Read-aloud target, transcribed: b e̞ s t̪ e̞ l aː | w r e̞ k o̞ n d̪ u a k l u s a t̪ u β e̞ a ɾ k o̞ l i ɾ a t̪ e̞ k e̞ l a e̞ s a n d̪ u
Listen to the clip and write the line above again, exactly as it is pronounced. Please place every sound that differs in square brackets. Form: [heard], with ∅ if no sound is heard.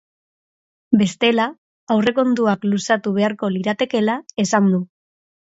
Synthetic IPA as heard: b e̞ s t̪ e̞ l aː | w r e̞ k o̞ n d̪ u a k l u s a t̪ u β e̞ a ɾ k o̞ l i ɾ a t̪ e̞ k e̞ l a e̞ s a n d̪ u